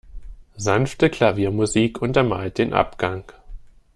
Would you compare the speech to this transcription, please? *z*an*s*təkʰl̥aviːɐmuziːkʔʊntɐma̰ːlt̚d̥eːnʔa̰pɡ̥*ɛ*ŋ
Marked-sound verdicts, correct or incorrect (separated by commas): correct, incorrect, incorrect